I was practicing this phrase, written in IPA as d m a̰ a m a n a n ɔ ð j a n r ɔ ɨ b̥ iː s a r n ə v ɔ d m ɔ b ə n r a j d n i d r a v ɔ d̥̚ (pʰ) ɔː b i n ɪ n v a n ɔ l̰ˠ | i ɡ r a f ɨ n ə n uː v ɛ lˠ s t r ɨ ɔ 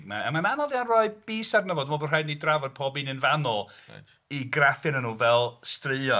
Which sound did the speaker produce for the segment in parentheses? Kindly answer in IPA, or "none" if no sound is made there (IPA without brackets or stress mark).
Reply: pʰ